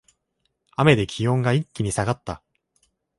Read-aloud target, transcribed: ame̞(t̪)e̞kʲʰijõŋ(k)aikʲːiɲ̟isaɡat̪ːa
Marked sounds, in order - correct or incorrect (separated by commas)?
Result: incorrect, incorrect